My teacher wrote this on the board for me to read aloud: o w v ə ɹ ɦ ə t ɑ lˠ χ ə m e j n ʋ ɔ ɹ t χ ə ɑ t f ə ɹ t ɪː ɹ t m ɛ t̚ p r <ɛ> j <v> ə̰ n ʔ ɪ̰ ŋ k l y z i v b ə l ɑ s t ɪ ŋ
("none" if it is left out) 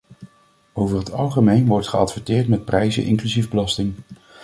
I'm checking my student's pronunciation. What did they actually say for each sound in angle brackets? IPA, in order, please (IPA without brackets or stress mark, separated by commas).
ɛ, z